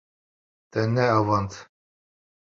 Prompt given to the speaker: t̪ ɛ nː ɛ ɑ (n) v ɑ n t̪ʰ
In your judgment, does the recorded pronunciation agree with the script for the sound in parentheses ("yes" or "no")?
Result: no